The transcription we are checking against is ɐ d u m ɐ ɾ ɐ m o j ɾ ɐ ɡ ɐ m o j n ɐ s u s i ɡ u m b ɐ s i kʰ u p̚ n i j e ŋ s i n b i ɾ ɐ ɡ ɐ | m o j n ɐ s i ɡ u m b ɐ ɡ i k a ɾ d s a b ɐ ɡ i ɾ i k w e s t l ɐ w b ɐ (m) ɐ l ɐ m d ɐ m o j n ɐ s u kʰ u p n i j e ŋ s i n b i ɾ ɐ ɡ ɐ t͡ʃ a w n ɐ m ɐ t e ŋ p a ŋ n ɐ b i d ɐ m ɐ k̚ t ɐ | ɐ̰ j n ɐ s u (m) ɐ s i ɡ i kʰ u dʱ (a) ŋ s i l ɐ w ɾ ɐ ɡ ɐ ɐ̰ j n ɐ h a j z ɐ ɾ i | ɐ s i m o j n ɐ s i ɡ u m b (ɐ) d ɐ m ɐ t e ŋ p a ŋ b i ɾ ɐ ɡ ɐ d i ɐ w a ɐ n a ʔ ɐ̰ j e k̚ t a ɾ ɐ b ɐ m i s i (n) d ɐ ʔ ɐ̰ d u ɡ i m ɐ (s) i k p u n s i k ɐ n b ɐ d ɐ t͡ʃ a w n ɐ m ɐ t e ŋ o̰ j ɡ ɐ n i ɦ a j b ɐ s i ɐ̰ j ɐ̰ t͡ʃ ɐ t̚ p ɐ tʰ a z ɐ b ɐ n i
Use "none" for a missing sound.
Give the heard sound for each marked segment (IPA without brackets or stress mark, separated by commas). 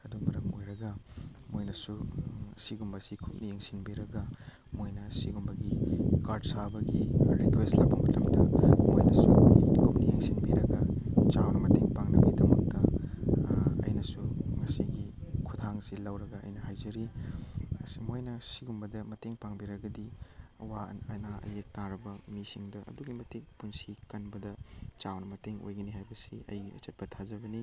m, ŋ, a, ɐ, ŋ, t